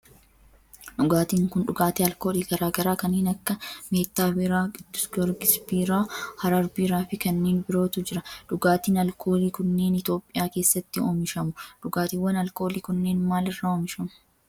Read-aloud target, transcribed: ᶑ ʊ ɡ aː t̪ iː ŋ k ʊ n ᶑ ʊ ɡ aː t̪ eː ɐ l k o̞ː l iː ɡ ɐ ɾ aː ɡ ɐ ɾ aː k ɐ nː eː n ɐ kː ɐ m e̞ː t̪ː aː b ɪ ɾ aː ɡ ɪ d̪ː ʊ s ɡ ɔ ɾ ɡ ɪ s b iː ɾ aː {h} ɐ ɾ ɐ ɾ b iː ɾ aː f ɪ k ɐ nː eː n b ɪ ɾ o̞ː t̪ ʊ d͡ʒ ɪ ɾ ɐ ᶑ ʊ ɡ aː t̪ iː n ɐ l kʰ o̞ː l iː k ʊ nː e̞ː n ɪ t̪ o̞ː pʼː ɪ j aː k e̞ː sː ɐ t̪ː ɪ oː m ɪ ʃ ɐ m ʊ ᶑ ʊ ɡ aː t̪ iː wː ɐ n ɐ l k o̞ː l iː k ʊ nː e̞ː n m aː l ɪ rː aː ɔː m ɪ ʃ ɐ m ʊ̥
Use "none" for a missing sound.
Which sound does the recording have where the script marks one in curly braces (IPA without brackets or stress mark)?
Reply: h